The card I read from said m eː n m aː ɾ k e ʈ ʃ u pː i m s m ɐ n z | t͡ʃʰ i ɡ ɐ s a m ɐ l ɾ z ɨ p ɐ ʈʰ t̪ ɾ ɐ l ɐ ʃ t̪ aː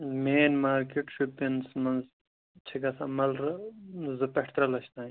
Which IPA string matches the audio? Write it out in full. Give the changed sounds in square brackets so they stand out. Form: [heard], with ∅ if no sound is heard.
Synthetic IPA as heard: m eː n m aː ɾ k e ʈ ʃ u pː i [n] s m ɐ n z | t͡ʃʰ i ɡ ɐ s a m ɐ l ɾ z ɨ p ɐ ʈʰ t̪ ɾ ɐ l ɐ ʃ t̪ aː